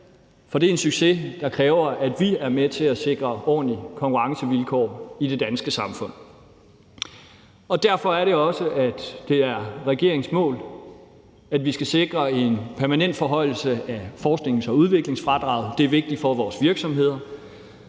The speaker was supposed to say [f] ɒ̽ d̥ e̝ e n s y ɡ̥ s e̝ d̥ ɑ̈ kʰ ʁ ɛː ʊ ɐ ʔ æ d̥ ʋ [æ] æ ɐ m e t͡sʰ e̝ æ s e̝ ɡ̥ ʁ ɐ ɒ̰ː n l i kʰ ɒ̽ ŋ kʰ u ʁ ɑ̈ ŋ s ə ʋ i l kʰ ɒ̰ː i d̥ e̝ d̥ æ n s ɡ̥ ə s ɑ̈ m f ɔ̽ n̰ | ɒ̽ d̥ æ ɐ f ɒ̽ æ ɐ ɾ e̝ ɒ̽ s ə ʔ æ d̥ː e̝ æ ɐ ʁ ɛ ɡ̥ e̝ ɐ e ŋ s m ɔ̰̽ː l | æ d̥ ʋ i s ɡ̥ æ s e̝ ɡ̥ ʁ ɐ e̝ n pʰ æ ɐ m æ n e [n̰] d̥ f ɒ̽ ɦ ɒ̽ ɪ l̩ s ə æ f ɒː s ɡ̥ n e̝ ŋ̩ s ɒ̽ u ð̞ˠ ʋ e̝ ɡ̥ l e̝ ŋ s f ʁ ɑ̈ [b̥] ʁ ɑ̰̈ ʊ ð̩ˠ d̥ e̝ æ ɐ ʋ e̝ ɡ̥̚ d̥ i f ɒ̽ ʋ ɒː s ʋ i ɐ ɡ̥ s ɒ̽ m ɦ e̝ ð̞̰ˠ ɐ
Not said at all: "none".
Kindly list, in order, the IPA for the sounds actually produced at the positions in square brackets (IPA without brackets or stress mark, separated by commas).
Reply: f, i, n̰, d̥